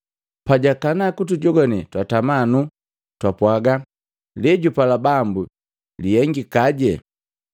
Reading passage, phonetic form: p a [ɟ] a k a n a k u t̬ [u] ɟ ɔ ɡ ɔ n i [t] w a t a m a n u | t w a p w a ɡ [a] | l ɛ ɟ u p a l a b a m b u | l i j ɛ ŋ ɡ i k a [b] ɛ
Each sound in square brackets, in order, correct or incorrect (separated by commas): correct, correct, correct, correct, incorrect